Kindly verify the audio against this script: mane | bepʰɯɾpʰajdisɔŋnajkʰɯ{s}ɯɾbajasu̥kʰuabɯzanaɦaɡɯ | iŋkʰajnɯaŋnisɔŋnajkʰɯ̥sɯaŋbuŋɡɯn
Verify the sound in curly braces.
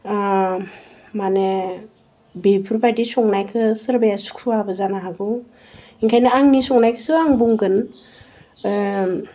correct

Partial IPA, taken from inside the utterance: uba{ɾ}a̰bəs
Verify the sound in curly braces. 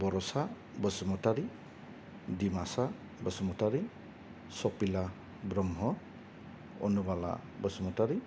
incorrect: l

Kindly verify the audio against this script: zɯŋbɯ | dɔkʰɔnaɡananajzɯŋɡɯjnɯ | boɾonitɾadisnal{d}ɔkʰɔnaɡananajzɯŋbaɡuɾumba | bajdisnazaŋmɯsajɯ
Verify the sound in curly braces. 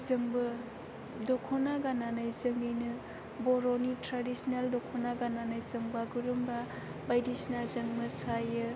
correct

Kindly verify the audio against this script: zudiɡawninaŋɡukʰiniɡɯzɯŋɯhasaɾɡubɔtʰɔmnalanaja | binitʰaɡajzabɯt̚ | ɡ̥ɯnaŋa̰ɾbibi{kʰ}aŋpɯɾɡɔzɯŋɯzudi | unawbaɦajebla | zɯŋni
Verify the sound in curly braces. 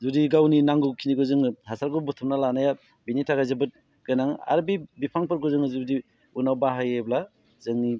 incorrect: pʰ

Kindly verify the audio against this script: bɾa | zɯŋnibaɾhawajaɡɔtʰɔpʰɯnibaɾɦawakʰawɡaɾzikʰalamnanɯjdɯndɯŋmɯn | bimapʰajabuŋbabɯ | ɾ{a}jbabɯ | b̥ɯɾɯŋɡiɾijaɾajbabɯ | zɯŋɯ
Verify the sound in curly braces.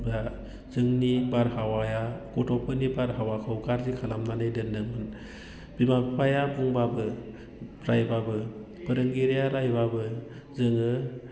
correct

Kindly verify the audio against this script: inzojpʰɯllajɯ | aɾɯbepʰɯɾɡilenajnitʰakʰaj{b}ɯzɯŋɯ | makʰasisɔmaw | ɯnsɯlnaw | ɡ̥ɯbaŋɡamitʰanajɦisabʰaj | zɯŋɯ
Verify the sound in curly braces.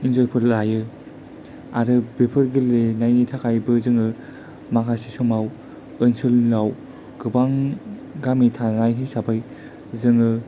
correct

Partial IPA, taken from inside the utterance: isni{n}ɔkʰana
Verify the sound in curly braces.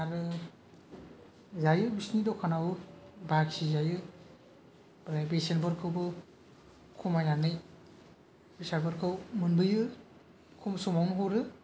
incorrect: d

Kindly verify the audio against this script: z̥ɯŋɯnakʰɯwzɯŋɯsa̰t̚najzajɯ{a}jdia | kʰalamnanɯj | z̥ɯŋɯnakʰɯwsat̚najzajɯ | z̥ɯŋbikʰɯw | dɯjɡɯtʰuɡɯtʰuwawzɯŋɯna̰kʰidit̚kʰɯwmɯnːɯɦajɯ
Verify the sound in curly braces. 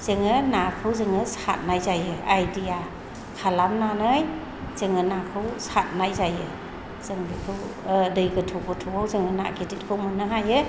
correct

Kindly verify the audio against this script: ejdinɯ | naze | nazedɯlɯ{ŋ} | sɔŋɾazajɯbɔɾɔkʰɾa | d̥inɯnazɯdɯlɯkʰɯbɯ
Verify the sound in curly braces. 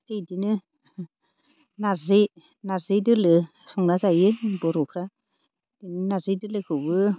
incorrect: none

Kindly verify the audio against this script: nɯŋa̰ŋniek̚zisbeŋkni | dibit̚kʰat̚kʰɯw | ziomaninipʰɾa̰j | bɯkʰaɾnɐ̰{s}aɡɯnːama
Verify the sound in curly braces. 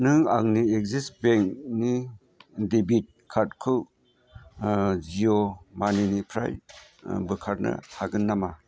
incorrect: h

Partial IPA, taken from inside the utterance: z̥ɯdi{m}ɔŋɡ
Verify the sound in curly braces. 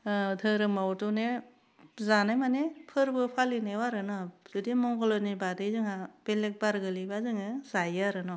correct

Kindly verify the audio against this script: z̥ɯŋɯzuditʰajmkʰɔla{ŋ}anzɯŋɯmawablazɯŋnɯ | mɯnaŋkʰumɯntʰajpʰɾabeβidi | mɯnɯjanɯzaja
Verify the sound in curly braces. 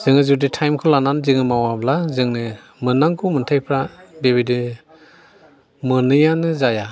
incorrect: n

